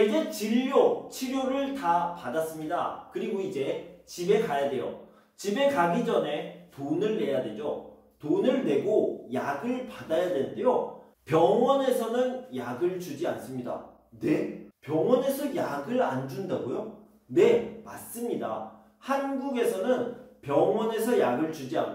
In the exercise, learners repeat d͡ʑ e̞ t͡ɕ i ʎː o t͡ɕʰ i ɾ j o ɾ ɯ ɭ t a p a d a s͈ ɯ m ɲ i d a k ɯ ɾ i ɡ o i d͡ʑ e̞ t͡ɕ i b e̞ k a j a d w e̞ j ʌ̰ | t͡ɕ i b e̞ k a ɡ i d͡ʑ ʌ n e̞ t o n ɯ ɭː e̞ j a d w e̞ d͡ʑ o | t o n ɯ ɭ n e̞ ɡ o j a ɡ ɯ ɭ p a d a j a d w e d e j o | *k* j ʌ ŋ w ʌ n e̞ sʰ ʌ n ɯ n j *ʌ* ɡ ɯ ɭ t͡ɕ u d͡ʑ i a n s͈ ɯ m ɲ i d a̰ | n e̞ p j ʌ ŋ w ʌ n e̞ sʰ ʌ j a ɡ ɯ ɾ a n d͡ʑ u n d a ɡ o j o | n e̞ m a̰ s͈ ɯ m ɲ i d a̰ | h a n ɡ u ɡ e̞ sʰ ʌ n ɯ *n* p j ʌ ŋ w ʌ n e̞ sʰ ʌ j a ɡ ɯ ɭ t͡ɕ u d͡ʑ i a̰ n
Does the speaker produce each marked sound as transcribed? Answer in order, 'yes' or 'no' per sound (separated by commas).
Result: no, no, yes